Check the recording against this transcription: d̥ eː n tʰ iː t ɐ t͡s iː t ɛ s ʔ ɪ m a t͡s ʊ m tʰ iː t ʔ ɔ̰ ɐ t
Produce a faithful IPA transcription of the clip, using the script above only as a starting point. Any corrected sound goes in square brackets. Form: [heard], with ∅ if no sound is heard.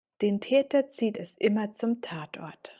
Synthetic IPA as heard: d̥ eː n tʰ [ɛː] t ɐ t͡s iː t ɛ s ʔ ɪ m [ɐ] t͡s ʊ m tʰ [aː] t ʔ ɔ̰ ɐ t